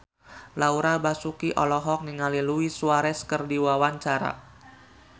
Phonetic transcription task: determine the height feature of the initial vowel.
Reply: low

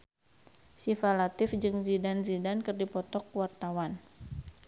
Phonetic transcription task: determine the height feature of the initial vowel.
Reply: high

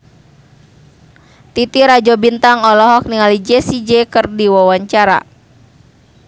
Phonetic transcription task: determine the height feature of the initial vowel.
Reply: high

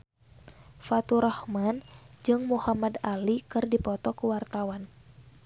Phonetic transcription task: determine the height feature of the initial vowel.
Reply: low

